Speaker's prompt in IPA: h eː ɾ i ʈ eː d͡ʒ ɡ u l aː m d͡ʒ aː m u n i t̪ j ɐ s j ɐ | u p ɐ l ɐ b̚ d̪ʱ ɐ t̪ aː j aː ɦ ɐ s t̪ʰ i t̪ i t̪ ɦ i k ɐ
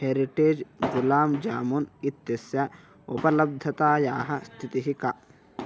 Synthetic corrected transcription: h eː ɾ i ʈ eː d͡ʒ ɡ u l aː m d͡ʒ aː m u n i t̪ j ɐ s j ɐ | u p ɐ l ɐ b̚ d̪ʱ ɐ t̪ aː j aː ɦ ɐ s t̪ʰ i t̪ i ɦ i k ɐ